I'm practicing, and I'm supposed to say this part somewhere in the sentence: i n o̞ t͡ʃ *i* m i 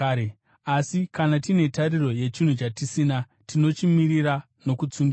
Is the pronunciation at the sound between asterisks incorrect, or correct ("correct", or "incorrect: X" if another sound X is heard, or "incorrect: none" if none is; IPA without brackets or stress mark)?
correct